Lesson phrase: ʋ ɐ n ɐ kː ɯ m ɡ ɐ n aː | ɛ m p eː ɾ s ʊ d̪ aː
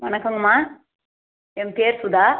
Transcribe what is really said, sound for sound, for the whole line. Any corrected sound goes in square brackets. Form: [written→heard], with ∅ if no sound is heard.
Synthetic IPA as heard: ʋ ɐ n ɐ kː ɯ [m→ŋ] ɡ ɐ [n→m] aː | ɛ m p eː ɾ s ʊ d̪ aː